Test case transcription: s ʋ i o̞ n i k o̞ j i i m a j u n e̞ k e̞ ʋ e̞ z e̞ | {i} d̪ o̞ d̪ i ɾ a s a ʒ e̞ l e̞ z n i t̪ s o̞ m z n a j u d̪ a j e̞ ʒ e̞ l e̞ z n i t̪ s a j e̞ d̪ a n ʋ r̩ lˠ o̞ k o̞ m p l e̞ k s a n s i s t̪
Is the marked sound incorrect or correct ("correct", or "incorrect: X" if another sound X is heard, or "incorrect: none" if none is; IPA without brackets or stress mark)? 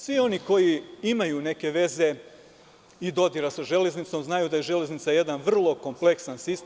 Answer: correct